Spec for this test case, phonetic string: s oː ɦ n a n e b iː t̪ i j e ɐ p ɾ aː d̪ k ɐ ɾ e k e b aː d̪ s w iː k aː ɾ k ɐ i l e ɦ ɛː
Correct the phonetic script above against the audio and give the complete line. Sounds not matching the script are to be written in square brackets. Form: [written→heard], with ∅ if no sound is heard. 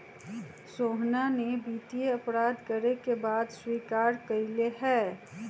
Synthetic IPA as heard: s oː ɦ n a n e b iː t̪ i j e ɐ p ɾ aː d̪ k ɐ ɾ e k e b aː d̪ s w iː k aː ɾ k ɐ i l e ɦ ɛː